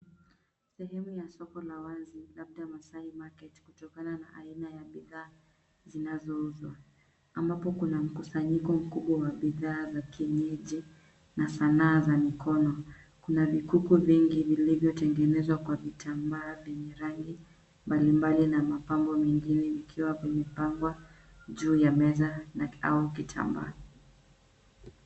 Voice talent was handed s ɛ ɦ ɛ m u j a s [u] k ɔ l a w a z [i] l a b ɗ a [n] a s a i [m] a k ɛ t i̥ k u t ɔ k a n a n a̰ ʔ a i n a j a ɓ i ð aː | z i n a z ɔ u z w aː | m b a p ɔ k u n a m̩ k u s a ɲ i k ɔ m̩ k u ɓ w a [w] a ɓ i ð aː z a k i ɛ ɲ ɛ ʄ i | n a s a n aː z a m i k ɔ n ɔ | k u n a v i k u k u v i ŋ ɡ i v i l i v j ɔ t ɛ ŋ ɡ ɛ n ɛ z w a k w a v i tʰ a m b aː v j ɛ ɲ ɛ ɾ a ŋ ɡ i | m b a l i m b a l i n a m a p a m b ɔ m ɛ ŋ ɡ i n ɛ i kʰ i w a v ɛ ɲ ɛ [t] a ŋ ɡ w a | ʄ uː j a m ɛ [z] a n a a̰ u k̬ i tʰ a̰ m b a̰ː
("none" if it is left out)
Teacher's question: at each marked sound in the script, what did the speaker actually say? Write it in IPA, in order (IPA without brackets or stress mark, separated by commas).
ɔ, i, m, m, w, p, z